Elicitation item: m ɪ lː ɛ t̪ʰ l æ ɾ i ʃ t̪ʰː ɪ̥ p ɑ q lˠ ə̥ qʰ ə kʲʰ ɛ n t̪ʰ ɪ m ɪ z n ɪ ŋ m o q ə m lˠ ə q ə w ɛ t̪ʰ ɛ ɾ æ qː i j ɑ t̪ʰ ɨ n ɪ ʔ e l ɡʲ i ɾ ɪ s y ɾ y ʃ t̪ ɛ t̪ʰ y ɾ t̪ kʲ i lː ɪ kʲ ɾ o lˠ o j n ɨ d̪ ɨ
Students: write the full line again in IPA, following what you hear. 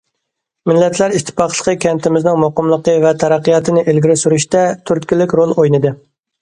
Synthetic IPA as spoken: m ɪ lː ɛ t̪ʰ l æ ɾ i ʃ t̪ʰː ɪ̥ p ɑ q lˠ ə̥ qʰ ə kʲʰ ɛ n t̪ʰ ɪ m ɪ z n ɪ ŋ m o q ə m lˠ ə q ə v ɛ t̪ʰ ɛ ɾ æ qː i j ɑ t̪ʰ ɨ n ɪ ʔ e l ɡʲ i ɾ ɪ s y ɾ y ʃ t̪ ɛ t̪ʰ y ɾ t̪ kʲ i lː ɪ kʲ ɾ o lˠ o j n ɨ d̪ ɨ